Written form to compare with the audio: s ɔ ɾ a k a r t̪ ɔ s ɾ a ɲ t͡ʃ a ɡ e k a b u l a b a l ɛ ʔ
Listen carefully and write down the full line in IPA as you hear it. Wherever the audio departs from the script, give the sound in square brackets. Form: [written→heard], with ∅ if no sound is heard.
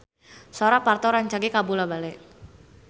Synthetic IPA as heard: s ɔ ɾ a [k→p] a r t̪ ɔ [s→∅] ɾ a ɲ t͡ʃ a ɡ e k a b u l a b a l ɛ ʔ

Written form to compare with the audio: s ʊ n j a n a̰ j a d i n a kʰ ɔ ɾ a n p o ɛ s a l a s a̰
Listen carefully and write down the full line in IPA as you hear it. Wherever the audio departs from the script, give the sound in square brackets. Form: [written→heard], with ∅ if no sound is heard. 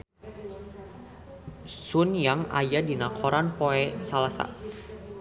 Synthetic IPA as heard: s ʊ n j a [n→ŋ] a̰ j a d i n a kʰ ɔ ɾ a n p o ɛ s a l a s a̰

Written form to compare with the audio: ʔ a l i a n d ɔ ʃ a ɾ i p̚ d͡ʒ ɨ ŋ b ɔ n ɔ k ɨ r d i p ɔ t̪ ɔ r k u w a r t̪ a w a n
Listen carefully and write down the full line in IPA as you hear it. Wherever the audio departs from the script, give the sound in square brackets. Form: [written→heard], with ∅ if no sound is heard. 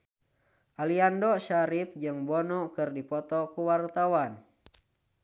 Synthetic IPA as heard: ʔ a l i a n d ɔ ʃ a ɾ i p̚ d͡ʒ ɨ ŋ b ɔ n ɔ k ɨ r d i p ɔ t̪ ɔ [r→∅] k u w a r t̪ a w a n

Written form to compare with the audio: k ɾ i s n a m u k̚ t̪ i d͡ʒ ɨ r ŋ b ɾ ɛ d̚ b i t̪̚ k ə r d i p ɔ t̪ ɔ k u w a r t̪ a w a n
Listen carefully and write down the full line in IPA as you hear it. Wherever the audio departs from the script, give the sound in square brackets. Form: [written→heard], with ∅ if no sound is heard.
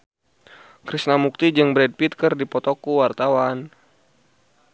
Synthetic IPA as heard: k ɾ i s n a m u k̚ t̪ i d͡ʒ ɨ [r→∅] ŋ b ɾ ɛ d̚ [b→p] i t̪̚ k ə r d i p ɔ t̪ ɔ k u w a r t̪ a w a n

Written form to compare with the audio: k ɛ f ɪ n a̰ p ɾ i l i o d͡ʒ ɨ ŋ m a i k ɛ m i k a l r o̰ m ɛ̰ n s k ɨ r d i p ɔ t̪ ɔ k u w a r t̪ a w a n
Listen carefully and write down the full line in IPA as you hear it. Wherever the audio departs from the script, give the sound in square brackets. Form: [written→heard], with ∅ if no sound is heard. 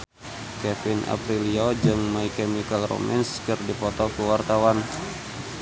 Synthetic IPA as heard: k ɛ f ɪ n a̰ p ɾ i l i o d͡ʒ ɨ ŋ m a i k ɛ m i k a l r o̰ m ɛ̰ n s k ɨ r d i p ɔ t̪ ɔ k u w a r t̪ a w a n

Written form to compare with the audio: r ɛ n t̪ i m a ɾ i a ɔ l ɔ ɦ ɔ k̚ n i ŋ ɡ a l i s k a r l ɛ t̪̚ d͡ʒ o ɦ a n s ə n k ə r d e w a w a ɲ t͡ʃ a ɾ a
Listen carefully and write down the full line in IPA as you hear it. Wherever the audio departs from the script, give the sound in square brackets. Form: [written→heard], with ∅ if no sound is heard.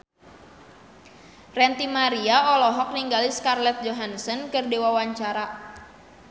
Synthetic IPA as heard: r ɛ n t̪ i m a ɾ i a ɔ l ɔ ɦ ɔ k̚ n i ŋ ɡ a l i s k a r l ɛ t̪̚ d͡ʒ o ɦ a n s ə n k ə r d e w a w a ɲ t͡ʃ a ɾ a

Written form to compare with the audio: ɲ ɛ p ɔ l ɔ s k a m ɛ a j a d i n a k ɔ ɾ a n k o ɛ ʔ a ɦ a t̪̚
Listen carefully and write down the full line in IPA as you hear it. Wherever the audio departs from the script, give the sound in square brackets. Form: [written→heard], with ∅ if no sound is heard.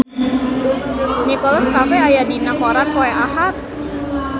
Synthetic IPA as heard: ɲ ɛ [p→k] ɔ l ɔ s k a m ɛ a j a d i n a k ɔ ɾ a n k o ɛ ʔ a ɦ a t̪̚

